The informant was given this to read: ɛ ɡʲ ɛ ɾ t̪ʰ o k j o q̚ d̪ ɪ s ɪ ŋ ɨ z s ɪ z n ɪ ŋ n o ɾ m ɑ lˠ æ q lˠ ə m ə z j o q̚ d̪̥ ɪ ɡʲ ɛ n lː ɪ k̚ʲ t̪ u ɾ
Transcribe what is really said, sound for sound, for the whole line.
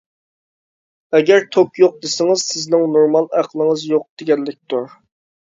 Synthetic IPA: ɛ ɡʲ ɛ ɾ t̪ʰ o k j o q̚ d̪ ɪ s ɪ ŋ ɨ z s ɪ z n ɪ ŋ n o ɾ m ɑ lˠ æ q lˠ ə ŋ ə z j o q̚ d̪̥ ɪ ɡʲ ɛ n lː ɪ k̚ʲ t̪ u ɾ